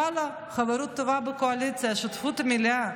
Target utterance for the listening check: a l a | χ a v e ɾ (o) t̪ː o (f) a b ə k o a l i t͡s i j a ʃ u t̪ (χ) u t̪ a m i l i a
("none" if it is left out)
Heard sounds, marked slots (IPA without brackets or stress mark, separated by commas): u, v, f